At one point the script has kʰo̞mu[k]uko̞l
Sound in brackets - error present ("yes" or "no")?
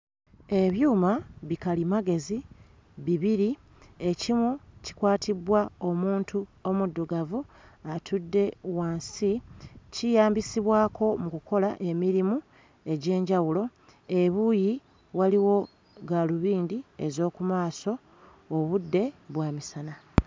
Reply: no